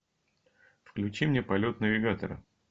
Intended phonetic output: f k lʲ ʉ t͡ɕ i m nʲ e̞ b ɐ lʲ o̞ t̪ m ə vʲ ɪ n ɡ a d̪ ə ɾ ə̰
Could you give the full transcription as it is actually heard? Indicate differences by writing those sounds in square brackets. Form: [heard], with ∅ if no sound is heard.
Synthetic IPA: f k lʲ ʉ t͡ɕ i m nʲ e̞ [p] ɐ lʲ o̞ t̪ [n] ə vʲ ɪ [∅] ɡ a [t̪] ə ɾ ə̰